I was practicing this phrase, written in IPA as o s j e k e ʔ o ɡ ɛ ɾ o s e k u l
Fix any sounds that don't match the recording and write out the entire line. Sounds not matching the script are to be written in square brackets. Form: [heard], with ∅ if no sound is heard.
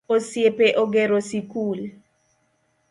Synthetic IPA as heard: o s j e [p] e ʔ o ɡ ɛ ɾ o s [i] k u l